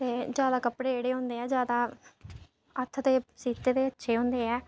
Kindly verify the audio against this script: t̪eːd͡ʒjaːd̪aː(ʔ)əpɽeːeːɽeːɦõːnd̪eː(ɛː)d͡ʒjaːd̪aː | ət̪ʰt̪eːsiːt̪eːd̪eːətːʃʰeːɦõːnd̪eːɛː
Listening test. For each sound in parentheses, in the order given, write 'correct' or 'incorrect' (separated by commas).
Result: incorrect, correct